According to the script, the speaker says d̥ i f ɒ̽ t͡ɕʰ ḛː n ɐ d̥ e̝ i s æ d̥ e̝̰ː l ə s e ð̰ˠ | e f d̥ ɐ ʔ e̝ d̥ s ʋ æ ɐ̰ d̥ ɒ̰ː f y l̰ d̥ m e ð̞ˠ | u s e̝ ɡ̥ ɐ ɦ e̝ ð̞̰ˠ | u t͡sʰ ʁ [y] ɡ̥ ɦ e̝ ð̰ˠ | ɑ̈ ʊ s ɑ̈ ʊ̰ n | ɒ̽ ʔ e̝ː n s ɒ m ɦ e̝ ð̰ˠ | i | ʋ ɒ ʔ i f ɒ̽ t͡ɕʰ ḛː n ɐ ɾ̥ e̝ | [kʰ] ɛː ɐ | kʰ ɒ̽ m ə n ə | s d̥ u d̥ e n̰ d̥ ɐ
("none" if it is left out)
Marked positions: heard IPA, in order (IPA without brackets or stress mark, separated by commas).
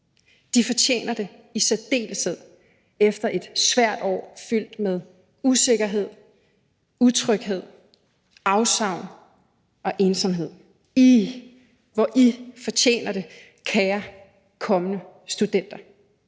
œ, kʰ